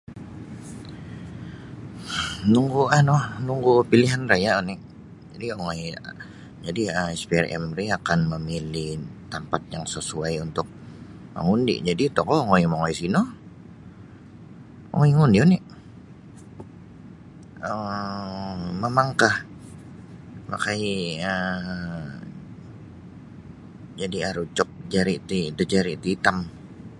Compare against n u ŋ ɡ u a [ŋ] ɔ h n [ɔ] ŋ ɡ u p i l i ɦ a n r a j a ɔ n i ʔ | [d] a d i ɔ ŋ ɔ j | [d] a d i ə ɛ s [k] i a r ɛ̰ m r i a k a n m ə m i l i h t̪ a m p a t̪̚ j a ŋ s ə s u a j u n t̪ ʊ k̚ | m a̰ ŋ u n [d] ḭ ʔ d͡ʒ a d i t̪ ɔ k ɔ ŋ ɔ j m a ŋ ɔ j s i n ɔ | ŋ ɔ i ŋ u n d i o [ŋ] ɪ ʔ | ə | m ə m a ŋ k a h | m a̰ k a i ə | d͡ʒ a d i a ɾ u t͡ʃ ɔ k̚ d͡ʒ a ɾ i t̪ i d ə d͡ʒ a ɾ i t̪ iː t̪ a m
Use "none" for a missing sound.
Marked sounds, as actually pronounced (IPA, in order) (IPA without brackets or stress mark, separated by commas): n, u, d͡ʒ, d͡ʒ, p, d, n